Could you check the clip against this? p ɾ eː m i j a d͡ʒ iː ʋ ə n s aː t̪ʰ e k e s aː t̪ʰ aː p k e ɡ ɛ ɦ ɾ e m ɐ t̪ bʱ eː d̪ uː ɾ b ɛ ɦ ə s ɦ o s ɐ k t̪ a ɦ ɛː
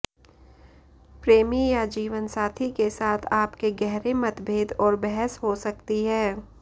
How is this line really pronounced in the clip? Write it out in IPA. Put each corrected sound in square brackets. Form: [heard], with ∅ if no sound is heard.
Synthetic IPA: p ɾ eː m i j a d͡ʒ iː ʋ ə n s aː t̪ʰ [i] k e s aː t̪ʰ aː p k e ɡ ɛ ɦ ɾ e m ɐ t̪ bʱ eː d̪ [ɔː] ɾ b ɛ ɦ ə s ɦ o s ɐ k t̪ [i] ɦ ɛː